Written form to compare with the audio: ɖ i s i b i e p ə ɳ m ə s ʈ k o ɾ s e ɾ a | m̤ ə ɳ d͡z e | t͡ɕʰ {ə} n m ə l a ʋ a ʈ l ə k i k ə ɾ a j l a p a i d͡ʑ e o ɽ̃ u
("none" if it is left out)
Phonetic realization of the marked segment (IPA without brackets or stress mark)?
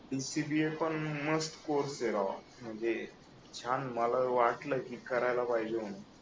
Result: a